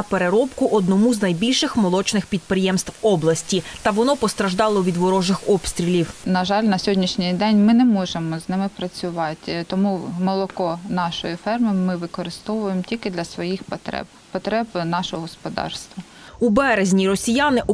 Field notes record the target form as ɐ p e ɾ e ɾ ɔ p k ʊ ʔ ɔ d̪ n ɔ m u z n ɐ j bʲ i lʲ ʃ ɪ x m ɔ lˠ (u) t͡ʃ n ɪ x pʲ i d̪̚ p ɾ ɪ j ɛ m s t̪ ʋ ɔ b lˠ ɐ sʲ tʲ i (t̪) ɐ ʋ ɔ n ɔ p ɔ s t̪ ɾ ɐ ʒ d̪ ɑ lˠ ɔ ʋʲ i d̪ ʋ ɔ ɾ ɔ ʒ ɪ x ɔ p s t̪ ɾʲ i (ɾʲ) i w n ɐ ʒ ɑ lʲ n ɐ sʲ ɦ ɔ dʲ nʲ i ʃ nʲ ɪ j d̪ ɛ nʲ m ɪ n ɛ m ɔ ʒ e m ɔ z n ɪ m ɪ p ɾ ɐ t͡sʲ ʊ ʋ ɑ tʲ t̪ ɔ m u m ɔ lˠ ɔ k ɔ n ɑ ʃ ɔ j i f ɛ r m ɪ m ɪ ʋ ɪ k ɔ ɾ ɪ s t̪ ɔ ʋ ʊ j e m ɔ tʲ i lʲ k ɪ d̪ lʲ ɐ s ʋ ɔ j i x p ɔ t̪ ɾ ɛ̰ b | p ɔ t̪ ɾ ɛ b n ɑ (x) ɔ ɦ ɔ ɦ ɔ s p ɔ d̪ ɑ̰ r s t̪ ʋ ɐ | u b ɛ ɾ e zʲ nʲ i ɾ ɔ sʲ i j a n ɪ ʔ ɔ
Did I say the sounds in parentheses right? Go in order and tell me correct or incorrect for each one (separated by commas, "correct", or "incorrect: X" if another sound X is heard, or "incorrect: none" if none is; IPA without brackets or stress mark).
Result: incorrect: ɔ, correct, incorrect: lʲ, incorrect: ʃ